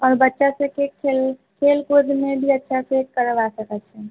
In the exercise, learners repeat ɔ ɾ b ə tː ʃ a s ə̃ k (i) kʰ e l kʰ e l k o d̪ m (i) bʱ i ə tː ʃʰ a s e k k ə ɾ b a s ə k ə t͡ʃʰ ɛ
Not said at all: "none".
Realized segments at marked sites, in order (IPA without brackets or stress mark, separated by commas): e, e